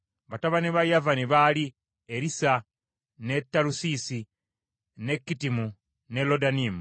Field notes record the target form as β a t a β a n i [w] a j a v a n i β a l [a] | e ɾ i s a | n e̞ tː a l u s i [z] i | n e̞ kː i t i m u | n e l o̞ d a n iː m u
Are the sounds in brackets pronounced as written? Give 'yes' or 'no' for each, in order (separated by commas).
no, no, no